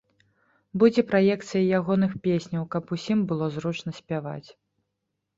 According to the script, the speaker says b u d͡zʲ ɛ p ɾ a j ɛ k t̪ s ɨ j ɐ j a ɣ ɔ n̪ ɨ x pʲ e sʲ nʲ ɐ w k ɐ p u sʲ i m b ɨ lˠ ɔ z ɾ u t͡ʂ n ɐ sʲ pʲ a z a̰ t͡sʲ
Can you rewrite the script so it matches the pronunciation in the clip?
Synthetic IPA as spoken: b u d͡zʲ ɛ p ɾ a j ɛ k t̪ s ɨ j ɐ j a ɣ ɔ n̪ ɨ x pʲ e sʲ nʲ ɐ w k ɐ p u sʲ i m b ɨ lˠ ɔ z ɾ u t͡ʂ n ɐ sʲ pʲ a v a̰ t͡sʲ

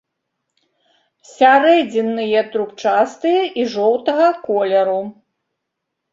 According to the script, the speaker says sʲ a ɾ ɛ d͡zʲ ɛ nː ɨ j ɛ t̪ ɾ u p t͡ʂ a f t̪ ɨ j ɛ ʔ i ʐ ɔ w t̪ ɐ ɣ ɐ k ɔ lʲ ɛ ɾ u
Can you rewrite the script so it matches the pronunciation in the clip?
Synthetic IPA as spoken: sʲ a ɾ ɛ d͡zʲ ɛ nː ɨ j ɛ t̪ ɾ u p t͡ʂ a s t̪ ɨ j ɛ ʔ i ʐ ɔ w t̪ ɐ ɣ ɐ k ɔ lʲ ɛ ɾ u

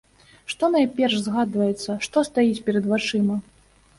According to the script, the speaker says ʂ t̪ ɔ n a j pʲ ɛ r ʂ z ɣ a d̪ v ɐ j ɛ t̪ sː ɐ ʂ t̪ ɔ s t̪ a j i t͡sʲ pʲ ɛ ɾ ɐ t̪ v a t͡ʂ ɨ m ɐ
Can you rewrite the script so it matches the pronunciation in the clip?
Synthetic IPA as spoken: ʂ t̪ ɔ n a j pʲ ɛ r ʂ z ɣ a d̪ v ɐ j ɛ t̪ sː ɐ ʂ t̪ ɔ s t̪ a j i t͡sʲ pʲ ɛ ɾ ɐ d̪ v a t͡ʂ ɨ m ɐ

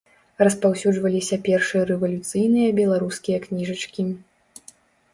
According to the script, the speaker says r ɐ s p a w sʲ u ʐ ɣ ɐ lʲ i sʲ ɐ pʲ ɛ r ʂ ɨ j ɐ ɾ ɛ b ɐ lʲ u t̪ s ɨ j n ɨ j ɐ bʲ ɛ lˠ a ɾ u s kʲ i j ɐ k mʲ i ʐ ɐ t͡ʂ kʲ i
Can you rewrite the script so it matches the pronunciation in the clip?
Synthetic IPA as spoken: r ɐ s p a w sʲ u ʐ v ɐ lʲ i sʲ ɐ pʲ ɛ r ʂ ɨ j ɐ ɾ ɛ v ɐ lʲ u t̪ s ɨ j n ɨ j ɐ bʲ ɛ lˠ a ɾ u s kʲ i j ɐ k nʲ i ʐ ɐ t͡ʂ kʲ i

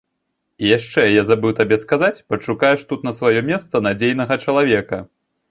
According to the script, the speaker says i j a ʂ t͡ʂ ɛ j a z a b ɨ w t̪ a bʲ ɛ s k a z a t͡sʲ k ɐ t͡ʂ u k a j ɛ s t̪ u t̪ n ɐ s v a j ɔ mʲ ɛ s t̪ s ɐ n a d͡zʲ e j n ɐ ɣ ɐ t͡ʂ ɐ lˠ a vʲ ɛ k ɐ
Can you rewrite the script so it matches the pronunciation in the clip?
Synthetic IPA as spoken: i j a ʂ t͡ʂ ɛ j a z a b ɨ w t̪ a bʲ ɛ s k a z a t͡sʲ p ɐ t͡ʂ u k a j ɛ ʂ t̪ u t̪ n ɐ s v a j ɔ mʲ ɛ s t̪ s ɐ n a d͡zʲ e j n ɐ ɣ ɐ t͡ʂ ɐ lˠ a vʲ ɛ k ɐ

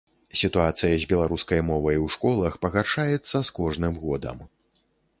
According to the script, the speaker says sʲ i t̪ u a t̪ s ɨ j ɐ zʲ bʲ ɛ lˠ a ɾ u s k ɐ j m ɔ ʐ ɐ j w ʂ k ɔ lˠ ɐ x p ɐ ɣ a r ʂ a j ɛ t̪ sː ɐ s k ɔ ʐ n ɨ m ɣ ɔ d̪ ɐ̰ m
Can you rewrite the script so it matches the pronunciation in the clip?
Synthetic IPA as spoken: sʲ i t̪ u a t̪ s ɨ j ɐ zʲ bʲ ɛ lˠ a ɾ u s k ɐ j m ɔ v ɐ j w ʂ k ɔ lˠ ɐ x p ɐ ɣ a r ʂ a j ɛ t̪ sː ɐ s k ɔ ʐ n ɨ m ɣ ɔ d̪ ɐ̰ m

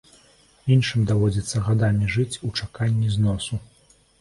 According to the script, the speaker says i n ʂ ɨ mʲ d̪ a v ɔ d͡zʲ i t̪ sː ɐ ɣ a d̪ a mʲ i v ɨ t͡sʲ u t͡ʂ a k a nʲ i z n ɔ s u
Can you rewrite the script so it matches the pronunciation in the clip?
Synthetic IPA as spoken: i n ʂ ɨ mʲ d̪ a v ɔ d͡zʲ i t̪ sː ɐ ɣ a d̪ a mʲ i ʐ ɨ t͡sʲ u t͡ʂ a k a nʲː i z n ɔ s u

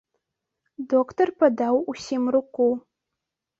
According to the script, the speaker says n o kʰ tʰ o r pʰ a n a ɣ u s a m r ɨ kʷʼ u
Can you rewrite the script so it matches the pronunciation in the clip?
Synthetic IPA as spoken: d o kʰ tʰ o r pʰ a d a w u s i m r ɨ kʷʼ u

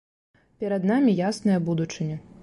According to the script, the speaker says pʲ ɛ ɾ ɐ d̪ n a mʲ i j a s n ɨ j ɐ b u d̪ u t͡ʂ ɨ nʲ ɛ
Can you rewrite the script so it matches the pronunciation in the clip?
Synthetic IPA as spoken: pʲ ɛ ɾ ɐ d̪ n a mʲ i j a s n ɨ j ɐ b u d̪ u t͡ʂ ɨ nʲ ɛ

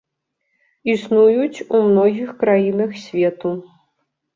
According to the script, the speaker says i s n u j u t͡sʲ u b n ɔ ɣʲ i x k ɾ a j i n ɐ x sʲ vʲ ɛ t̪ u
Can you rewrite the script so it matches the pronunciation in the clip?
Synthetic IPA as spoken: i s n u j u t͡sʲ u m n ɔ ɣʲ i x k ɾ a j i n ɐ x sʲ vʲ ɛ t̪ u

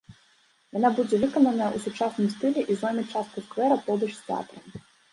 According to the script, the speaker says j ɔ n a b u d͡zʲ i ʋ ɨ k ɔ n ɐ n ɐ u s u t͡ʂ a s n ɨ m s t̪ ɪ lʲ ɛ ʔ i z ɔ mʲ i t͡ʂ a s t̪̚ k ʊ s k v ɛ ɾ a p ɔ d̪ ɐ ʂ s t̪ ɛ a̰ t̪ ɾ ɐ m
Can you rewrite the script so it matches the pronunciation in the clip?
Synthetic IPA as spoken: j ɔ n a b u d͡zʲ ɛ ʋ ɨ k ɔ n ɐ n ɐ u s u t͡ʂ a s n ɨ m s t̪ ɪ lʲ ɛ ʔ i z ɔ mʲ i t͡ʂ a s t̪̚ k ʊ s k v ɛ ɾ ɐ p ɔ d̪ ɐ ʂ s t̪ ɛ a̰ t̪ ɾ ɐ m

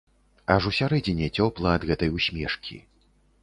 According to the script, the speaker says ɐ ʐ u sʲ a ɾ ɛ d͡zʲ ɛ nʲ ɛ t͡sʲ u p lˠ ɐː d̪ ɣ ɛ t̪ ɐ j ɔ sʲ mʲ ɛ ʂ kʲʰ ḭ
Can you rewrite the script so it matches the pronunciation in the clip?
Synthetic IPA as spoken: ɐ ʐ u sʲ a ɾ ɛ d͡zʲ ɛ nʲ ɛ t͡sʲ ɔ p lˠ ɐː d̪ ɣ ɛ t̪ ɐ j u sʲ mʲ ɛ ʂ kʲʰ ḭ

